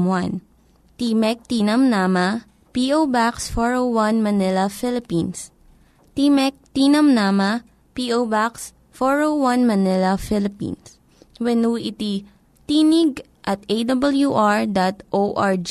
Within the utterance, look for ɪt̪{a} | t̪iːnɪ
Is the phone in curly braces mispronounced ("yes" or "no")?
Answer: yes